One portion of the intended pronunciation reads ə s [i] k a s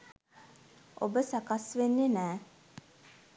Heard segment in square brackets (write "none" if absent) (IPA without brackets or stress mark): a